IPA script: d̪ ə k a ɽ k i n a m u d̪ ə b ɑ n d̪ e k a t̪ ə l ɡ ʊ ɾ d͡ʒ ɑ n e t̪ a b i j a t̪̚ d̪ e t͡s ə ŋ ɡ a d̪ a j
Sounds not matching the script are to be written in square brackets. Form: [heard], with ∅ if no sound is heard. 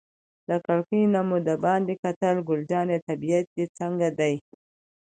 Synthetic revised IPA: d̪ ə k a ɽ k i n a m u d̪ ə b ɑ n d̪ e k a t̪ ə l ɡ ʊ [l] d͡ʒ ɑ n e t̪ a b i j a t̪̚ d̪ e t͡s ə ŋ ɡ a d̪ a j

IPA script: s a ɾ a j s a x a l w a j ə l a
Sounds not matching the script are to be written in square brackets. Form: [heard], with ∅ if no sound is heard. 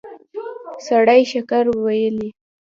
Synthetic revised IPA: s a [ɽ] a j [ʃ] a [k] a [ɾ] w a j ə l [i]

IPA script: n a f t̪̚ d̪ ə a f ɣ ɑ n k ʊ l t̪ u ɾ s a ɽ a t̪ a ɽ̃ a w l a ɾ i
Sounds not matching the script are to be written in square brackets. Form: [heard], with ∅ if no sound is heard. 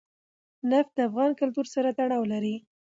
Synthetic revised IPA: n a f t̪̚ d̪ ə a f ɣ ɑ n k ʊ l t̪ u ɾ s a [ɾ] a t̪ a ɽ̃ [ɑ] w l a ɾ i

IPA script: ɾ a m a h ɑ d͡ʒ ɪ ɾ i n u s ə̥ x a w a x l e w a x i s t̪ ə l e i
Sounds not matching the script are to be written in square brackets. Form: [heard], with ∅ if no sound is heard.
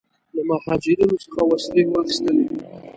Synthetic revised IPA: [l] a m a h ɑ d͡ʒ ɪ ɾ i n [o] s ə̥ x a w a [s] l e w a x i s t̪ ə l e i

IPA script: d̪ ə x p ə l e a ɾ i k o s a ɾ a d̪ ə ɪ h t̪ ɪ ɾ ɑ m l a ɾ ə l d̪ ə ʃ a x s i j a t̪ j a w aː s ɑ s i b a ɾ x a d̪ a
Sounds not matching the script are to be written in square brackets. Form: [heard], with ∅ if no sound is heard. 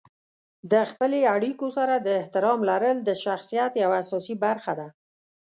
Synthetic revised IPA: d̪ ə x p ə l e a [ɽ] i k o s a ɾ a d̪ ə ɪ h t̪ ɪ ɾ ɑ m l a ɾ ə l d̪ ə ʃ a x s i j a t̪ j a w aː s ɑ s i b a ɾ x a d̪ a

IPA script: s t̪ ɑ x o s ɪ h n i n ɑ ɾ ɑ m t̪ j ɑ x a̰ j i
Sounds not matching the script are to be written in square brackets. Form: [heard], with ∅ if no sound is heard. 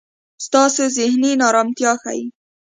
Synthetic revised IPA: s t̪ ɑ [s] o [z] ɪ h n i n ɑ ɾ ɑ m t̪ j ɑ x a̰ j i

